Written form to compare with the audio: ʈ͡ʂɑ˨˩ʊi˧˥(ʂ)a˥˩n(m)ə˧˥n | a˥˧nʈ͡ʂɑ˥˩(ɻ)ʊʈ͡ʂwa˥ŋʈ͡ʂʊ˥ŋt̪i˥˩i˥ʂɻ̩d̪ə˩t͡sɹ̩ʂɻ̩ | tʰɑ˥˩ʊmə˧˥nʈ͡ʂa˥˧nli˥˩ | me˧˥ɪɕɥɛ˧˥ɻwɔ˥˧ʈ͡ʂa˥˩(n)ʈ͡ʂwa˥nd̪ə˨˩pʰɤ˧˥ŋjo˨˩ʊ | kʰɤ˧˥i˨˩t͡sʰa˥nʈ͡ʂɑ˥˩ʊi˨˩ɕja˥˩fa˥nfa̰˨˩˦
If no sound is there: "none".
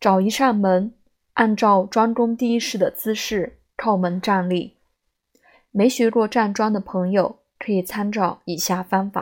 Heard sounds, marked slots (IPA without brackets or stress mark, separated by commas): ʂ, m, none, n